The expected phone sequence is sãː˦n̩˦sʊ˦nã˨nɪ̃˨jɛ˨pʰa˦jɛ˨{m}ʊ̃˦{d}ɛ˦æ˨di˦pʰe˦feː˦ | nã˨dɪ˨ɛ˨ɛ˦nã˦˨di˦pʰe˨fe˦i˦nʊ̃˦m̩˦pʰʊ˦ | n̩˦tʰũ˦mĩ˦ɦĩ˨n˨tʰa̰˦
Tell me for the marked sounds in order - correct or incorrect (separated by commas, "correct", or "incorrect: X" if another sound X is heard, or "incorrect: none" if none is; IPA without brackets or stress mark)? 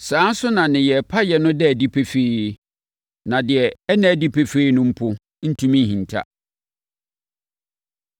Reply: incorrect: n, correct